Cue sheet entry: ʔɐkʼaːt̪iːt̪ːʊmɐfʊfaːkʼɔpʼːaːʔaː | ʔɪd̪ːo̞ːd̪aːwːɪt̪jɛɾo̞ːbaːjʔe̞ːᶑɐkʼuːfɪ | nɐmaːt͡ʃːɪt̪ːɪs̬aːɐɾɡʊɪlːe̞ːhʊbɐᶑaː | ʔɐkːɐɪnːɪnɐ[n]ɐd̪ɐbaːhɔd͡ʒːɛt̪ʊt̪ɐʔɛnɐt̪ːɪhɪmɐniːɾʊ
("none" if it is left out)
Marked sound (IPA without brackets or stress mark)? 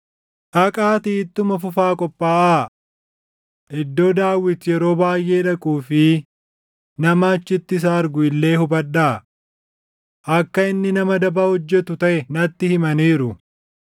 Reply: m